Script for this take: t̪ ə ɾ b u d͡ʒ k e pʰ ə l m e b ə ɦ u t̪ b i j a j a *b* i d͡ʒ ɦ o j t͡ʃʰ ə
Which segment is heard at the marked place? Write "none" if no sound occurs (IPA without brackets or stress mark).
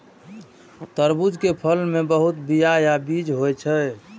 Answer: b